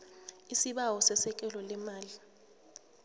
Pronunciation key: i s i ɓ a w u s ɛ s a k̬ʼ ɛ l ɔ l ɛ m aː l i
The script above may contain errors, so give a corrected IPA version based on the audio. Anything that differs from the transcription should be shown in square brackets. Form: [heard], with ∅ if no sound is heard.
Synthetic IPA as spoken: i s i ɓ a w [ɔ] s ɛ s [ɛ] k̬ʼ ɛ l ɔ l ɛ m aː l i